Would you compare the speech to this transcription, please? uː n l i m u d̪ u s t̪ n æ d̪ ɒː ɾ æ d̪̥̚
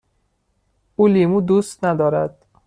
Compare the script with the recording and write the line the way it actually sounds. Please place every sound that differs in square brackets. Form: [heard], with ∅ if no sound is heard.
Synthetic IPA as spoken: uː [∅] l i m u d̪ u s t̪ n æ d̪ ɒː ɾ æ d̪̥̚

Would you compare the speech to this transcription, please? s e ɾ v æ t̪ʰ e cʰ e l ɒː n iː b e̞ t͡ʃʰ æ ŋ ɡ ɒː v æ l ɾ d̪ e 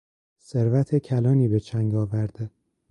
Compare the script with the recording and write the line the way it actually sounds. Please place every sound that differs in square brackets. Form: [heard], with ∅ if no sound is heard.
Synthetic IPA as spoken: s e ɾ v æ t̪ʰ e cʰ [æ] l ɒː n iː b e̞ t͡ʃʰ æ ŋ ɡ ɒː v æ [∅] ɾ d̪ e

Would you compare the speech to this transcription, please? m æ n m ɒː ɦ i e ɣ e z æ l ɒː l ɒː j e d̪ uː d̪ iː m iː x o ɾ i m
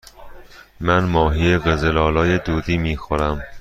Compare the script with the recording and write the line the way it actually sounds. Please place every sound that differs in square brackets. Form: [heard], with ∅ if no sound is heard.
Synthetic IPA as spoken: m æ n m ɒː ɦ i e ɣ e z [e] l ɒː l ɒː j e d̪ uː d̪ iː m iː x o ɾ [æ] m

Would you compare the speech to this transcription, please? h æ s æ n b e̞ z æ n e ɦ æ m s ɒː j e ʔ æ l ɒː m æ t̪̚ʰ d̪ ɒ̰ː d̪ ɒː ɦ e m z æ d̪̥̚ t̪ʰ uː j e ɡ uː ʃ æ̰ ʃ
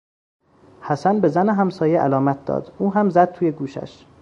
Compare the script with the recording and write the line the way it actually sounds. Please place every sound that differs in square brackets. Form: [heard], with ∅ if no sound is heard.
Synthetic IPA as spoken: h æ s æ n b e̞ z æ n e ɦ æ m s ɒː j e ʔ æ l ɒː m æ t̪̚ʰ d̪ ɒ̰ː d̪ [uː] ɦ [æ] m z æ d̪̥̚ t̪ʰ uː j e ɡ uː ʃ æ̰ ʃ

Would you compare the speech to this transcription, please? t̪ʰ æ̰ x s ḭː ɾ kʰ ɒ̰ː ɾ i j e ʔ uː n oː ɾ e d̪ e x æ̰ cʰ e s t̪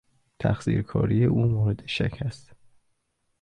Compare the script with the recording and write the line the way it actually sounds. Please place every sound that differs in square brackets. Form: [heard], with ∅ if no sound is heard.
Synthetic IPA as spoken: t̪ʰ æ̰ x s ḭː ɾ kʰ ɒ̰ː ɾ i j e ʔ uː [m] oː ɾ e d̪ e [ʃ] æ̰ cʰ [æ] s t̪

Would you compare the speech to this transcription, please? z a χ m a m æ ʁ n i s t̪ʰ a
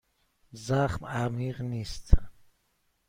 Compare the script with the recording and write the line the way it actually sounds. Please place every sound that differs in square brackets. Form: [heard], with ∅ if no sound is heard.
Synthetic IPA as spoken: z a χ m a m [i] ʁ n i s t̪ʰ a

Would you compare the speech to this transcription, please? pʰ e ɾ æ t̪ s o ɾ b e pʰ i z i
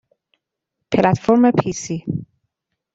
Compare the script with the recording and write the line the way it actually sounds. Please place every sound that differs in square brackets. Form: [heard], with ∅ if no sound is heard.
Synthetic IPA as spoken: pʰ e [l] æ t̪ [f] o ɾ [m] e pʰ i [s] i

